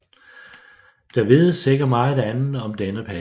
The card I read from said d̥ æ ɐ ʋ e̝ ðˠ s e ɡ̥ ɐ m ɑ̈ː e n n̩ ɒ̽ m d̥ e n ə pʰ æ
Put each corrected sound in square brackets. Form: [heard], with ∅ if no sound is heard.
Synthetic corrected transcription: d̥ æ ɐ ʋ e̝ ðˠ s e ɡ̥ ɐ m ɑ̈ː [æ] n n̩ ɒ̽ m d̥ e n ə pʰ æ